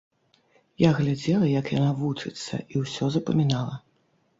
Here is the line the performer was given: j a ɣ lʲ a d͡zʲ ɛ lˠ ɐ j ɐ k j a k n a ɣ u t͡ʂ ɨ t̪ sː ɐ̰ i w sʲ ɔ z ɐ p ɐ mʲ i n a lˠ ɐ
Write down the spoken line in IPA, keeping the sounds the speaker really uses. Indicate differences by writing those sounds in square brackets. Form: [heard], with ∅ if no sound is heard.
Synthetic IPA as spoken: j a ɣ lʲ a d͡zʲ ɛ lˠ ɐ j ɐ k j a [∅] n a [v] u t͡ʂ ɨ t̪ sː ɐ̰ i w sʲ ɔ z ɐ p ɐ mʲ i n a lˠ ɐ